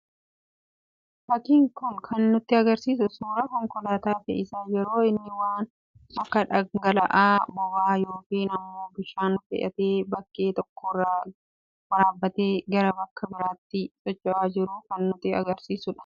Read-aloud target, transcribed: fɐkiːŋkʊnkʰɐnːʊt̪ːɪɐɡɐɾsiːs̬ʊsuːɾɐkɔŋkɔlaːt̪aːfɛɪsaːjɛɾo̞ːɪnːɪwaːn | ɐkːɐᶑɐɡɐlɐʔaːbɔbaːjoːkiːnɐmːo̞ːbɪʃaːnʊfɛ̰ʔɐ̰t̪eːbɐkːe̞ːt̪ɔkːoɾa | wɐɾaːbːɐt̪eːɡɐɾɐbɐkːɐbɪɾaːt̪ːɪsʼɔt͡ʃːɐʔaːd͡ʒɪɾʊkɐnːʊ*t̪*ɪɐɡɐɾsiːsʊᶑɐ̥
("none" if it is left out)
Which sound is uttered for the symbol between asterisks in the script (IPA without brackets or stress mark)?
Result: t̪